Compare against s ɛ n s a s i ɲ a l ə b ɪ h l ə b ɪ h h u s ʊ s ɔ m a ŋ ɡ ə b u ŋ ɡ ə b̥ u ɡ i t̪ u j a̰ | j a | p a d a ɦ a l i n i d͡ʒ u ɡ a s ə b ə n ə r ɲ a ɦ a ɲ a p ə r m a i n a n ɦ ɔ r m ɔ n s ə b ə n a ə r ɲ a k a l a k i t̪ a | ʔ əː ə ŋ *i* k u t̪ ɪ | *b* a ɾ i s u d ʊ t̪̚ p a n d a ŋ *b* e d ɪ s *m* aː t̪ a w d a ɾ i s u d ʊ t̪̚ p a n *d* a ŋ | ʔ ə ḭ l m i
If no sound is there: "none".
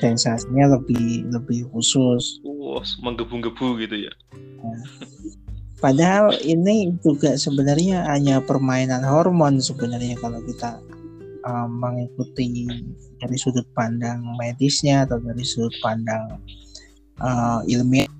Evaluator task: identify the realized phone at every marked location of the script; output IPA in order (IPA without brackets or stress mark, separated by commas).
i, d, m, ɲ, d